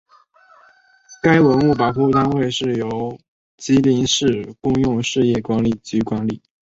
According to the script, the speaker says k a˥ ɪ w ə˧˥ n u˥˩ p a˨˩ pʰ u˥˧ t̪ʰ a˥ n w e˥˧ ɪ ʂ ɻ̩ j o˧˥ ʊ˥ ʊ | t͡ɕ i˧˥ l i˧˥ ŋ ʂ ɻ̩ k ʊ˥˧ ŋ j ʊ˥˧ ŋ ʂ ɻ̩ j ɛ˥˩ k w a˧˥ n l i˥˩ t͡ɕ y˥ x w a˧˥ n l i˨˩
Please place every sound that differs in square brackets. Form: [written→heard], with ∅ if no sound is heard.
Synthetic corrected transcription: k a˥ ɪ w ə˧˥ n u˥˩ p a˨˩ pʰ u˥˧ [t̪ʰ→t̪] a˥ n w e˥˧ ɪ ʂ ɻ̩ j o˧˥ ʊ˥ ʊ | t͡ɕ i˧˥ l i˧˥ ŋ ʂ ɻ̩ k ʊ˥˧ ŋ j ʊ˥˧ ŋ ʂ ɻ̩ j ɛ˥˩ k w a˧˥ n l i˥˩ t͡ɕ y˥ [x→k] w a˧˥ n l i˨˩